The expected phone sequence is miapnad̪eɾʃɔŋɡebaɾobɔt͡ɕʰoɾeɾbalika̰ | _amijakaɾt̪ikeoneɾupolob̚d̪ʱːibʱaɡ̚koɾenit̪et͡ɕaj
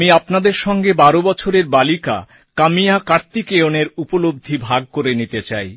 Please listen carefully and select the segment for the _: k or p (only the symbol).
k